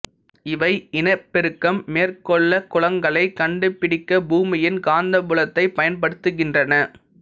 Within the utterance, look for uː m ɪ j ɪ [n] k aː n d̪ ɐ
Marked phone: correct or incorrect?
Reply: correct